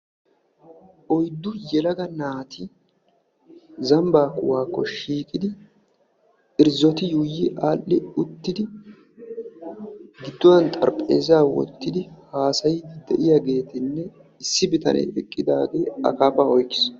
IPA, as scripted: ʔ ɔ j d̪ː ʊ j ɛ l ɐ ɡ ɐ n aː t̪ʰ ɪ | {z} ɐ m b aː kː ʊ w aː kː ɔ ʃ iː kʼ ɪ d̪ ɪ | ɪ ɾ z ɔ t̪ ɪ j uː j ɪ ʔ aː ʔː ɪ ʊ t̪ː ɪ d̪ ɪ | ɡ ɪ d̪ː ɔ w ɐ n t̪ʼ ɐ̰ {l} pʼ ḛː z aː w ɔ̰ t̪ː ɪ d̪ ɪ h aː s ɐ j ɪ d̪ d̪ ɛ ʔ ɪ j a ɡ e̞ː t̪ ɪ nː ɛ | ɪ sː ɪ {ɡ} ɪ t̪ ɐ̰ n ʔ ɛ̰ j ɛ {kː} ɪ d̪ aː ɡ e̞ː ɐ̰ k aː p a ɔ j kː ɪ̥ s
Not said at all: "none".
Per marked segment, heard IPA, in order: z, ɾ, b, kʼː

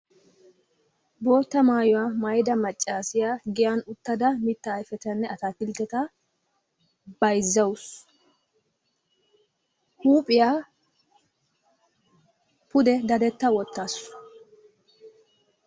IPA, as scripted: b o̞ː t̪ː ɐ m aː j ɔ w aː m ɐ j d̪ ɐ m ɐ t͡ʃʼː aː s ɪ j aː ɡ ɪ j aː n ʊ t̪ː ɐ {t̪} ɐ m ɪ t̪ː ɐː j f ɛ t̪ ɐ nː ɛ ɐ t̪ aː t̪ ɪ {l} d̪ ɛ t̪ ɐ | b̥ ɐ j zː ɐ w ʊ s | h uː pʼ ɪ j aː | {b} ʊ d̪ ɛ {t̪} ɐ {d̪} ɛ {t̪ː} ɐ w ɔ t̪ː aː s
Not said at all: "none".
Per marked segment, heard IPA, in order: d̪, l, p, d̪, d̪, t̪ː

